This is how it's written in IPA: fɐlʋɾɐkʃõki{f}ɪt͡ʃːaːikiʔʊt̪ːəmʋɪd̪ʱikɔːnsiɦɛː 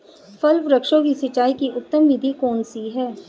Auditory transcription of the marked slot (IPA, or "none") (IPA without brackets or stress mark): s